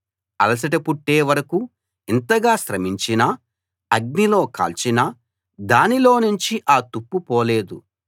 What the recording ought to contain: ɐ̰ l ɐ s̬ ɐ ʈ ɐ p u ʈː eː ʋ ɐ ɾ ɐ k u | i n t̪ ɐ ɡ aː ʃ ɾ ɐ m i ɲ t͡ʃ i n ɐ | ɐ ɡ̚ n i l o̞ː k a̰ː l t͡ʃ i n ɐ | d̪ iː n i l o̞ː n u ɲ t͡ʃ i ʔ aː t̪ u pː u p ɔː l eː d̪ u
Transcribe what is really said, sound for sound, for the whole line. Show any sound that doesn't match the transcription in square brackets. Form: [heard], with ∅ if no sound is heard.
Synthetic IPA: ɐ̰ l ɐ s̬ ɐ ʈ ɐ p u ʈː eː ʋ ɐ ɾ ɐ k u | i n t̪ ɐ ɡ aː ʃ ɾ ɐ m i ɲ t͡ʃ i n ɐ | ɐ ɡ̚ n i l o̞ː k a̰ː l t͡ʃ i n ɐ | d̪ [aː] n i l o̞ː n u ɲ t͡ʃ i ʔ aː t̪ u pː u p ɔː l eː d̪ u